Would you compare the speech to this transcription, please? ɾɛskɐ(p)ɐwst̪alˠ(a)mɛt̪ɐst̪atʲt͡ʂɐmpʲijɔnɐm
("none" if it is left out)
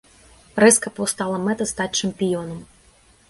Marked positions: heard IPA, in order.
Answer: p, ɐ

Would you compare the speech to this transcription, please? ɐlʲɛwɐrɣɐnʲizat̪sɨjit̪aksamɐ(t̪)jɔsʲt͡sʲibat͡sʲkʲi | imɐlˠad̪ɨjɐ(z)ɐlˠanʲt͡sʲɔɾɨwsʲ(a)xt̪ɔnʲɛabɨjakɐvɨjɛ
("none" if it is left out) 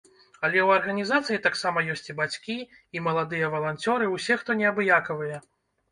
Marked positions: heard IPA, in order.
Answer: none, v, ɛ

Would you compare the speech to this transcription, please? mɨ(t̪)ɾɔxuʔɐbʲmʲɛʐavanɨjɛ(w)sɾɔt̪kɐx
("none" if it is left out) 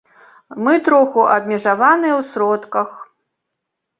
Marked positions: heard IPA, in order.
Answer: t̪, w

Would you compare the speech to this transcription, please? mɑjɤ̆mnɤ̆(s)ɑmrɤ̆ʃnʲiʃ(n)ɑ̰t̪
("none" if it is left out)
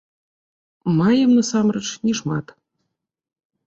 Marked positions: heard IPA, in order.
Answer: s, m

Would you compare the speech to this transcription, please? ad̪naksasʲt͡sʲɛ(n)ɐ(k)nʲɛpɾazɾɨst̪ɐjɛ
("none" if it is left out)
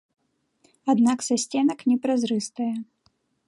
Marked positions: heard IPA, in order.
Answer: n, k

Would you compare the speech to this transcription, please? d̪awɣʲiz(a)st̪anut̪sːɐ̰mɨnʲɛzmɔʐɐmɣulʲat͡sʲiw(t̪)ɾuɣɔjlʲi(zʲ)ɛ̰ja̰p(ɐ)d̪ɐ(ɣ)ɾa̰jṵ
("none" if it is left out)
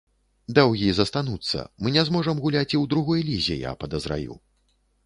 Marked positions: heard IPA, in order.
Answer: ɐ, d̪, zʲ, ɐ, z

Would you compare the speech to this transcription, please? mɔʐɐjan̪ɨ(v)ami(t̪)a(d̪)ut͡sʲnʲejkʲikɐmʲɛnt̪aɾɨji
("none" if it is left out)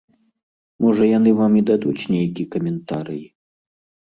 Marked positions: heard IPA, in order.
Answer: v, d̪, d̪

